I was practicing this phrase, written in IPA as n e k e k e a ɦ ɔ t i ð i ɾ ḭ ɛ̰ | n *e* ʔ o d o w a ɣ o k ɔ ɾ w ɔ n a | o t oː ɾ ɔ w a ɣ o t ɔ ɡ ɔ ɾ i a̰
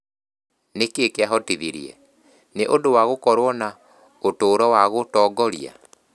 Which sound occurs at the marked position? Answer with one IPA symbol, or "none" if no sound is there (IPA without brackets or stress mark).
e